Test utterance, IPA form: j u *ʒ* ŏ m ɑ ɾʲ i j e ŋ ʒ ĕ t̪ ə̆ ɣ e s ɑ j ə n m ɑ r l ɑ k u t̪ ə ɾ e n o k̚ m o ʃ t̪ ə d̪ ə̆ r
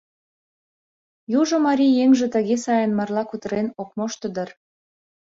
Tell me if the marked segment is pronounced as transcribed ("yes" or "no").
yes